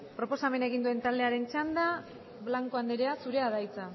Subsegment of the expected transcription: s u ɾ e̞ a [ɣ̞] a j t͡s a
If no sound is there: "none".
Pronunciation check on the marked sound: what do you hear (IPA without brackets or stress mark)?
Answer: ð̞